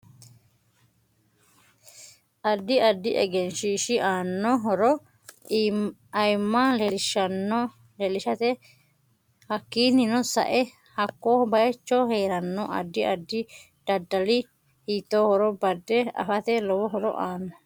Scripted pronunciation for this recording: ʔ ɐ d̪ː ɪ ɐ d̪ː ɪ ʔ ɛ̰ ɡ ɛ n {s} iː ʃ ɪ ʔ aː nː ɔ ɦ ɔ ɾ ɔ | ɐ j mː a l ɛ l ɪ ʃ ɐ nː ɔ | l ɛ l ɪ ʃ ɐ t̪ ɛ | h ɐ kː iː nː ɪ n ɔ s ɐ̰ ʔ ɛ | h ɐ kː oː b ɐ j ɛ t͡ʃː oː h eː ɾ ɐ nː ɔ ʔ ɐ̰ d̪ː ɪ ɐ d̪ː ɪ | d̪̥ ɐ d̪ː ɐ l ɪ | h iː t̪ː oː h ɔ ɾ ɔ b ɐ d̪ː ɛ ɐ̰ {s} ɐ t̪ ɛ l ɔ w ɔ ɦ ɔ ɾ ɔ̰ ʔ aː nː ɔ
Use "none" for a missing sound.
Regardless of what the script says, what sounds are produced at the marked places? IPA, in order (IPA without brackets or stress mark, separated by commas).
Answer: ʃ, f